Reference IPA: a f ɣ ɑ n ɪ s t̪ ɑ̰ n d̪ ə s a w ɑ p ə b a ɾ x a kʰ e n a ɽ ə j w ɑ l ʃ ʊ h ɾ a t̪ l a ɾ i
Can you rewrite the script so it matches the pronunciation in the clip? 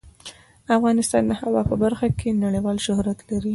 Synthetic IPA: a f ɣ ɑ n ɪ s t̪ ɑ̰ n d̪ ə h a w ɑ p ə b a ɾ x a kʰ e n a ɽ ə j w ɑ l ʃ ʊ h ɾ a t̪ l a ɾ i